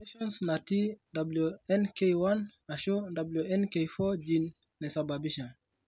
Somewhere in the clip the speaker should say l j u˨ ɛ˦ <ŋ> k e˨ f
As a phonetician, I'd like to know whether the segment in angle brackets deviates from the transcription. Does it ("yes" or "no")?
yes